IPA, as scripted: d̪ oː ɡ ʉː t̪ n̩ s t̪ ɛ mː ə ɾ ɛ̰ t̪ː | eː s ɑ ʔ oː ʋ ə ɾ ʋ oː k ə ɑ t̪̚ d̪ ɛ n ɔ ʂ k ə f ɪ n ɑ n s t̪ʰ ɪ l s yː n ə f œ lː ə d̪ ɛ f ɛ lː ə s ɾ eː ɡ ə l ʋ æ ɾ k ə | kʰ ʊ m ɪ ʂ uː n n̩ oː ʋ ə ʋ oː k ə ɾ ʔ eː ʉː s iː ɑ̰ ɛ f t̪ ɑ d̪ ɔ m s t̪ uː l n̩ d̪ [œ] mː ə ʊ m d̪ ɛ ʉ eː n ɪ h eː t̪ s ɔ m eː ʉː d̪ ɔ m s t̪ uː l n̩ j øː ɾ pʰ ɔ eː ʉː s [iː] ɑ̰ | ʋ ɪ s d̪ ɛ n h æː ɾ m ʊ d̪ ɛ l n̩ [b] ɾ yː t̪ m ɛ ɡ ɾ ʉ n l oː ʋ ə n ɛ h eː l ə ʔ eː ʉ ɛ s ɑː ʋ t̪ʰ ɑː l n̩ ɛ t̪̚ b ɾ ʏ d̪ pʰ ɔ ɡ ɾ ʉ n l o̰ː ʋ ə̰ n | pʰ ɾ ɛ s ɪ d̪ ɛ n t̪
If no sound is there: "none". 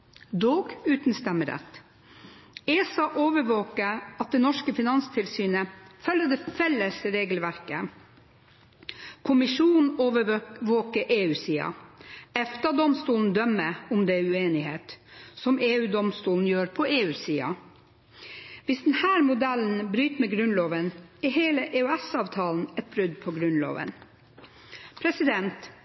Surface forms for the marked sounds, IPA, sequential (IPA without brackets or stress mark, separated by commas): œ, iː, b